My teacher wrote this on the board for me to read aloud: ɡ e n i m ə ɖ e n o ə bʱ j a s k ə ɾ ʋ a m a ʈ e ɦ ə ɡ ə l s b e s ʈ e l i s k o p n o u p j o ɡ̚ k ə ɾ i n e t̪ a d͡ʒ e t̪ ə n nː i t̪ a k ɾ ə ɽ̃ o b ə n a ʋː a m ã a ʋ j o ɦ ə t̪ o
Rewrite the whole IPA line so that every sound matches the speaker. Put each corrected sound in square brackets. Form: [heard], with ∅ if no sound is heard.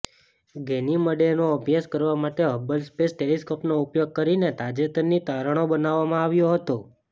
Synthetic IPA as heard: ɡ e n i m ə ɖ e n o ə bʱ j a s k ə ɾ ʋ a m a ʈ e ɦ ə [b] ə l s [p] e s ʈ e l i s k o p n o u p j o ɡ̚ k ə ɾ i n e t̪ a d͡ʒ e t̪ ə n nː i t̪ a [∅] ɾ ə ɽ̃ o b ə n a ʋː a m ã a ʋ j o ɦ ə t̪ o